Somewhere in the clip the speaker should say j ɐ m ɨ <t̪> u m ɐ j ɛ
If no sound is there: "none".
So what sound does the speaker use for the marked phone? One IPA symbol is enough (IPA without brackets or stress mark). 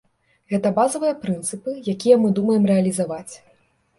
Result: d̪